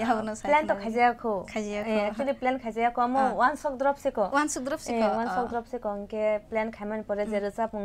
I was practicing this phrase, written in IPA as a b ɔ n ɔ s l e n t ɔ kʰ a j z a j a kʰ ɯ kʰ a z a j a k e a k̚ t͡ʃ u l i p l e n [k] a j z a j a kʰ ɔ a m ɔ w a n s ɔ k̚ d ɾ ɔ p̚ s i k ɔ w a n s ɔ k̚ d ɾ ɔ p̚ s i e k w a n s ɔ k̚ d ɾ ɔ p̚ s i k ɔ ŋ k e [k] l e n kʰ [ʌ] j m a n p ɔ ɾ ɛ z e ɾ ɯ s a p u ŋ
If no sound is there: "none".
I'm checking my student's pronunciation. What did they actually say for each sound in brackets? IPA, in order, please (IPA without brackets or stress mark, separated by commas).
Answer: kʰ, p, a